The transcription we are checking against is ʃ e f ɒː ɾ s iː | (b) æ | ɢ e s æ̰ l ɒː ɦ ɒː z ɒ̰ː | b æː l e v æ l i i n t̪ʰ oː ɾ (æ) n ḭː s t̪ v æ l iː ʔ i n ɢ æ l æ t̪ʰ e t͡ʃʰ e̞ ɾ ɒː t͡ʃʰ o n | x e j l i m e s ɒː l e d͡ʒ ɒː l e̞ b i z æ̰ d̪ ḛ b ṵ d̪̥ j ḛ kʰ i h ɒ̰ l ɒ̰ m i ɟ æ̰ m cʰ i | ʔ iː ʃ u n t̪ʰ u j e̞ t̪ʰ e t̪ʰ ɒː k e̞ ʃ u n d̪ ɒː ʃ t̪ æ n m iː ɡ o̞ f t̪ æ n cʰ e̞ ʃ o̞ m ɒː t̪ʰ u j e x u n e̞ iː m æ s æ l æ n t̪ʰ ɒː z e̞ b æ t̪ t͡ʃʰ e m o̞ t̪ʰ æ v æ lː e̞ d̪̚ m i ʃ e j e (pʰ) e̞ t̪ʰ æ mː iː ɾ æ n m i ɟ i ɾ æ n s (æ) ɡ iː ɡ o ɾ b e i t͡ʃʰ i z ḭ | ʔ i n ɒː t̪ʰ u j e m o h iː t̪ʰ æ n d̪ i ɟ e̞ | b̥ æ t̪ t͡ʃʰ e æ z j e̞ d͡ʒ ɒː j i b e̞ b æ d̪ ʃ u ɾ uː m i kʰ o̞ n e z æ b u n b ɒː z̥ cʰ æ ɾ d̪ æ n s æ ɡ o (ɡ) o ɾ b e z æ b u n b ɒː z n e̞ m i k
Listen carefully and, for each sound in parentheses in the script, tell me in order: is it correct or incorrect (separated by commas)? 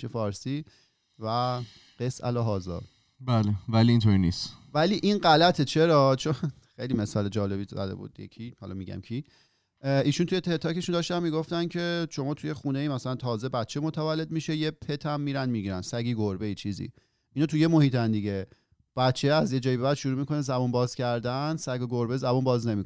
incorrect, incorrect, correct, correct, correct